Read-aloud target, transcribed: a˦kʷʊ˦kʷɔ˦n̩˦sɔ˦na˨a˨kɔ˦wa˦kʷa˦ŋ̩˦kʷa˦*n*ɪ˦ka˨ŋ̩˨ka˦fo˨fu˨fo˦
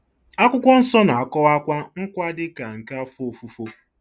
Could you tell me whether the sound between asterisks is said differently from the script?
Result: yes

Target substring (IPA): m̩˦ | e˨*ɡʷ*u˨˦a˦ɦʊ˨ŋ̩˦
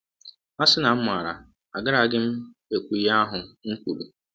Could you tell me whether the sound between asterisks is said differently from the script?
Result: yes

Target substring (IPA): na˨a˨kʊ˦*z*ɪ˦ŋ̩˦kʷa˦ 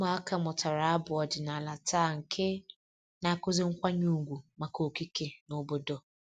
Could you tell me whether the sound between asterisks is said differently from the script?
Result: no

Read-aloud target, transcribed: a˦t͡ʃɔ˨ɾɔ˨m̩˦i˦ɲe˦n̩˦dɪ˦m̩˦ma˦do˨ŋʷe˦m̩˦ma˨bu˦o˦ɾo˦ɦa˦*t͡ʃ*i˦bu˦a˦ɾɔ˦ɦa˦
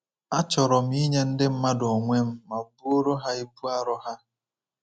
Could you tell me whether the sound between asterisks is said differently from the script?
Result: yes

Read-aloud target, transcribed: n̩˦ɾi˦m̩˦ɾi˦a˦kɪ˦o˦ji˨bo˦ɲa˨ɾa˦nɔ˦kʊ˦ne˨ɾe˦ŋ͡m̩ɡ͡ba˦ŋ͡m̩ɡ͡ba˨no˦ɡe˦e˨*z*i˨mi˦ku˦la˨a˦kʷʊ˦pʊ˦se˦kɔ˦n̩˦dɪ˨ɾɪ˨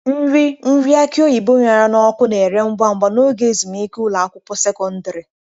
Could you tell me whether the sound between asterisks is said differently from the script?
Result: no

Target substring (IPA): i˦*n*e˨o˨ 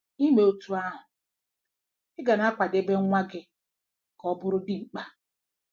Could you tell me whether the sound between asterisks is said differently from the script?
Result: yes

